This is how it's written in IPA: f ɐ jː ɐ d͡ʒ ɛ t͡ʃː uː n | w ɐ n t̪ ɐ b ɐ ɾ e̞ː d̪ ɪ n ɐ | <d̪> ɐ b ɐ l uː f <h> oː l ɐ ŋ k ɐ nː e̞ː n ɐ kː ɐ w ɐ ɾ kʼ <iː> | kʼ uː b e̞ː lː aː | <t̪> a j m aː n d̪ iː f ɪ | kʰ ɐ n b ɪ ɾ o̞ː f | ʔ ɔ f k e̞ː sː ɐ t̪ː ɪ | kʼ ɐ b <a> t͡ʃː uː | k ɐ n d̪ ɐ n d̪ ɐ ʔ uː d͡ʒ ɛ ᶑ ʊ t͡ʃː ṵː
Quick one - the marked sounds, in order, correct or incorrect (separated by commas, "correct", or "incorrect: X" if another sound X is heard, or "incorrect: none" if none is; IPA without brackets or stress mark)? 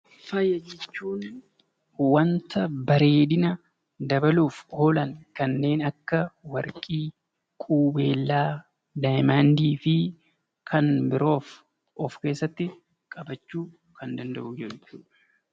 correct, correct, correct, incorrect: d̪, incorrect: ɐ